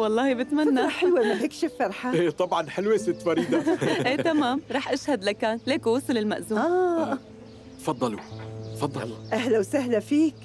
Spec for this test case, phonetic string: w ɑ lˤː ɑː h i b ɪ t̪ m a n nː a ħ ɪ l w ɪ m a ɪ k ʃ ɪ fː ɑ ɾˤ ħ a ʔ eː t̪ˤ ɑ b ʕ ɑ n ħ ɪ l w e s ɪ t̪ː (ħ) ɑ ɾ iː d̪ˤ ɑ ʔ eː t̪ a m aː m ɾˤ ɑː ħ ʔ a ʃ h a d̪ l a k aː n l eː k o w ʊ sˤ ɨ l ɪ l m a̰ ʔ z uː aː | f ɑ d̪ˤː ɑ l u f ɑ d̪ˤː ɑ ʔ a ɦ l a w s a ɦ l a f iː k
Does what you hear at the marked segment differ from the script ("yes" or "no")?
yes